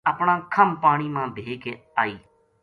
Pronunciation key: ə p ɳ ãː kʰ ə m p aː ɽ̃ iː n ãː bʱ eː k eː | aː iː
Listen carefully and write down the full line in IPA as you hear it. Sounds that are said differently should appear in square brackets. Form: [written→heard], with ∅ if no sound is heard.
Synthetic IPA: ə p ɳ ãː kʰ ə m p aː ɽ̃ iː [n→m] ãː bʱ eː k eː | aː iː